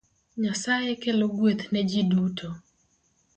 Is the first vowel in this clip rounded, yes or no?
no